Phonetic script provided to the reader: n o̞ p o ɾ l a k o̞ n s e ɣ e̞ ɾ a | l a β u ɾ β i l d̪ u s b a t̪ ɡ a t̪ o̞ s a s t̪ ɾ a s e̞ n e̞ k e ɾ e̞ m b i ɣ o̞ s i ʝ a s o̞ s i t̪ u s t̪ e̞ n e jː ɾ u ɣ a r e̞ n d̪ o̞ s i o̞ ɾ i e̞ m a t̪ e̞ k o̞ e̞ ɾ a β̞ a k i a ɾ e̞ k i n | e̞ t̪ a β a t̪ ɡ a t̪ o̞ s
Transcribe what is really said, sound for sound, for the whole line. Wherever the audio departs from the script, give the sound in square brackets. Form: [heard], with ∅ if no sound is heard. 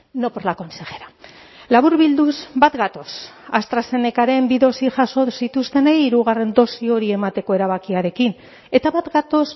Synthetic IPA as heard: n o̞ p o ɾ l a k o̞ n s e ɣ e̞ ɾ a | l a β u ɾ β i l d̪ u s b a t̪ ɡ a t̪ o̞ s a s t̪ ɾ a s e̞ n e̞ k [a] ɾ e̞ m b i [ð] o̞ s i ʝ a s o̞ s i t̪ u s t̪ e̞ n e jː ɾ u ɣ a r e̞ n d̪ o̞ s i o̞ ɾ i e̞ m a t̪ e̞ k o̞ e̞ ɾ a β̞ a k i a ɾ e̞ k i n | e̞ t̪ a β a t̪ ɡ a t̪ o̞ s